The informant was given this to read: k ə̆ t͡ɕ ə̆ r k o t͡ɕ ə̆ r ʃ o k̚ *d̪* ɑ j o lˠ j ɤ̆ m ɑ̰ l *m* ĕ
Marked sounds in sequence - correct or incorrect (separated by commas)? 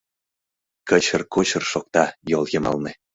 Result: incorrect, incorrect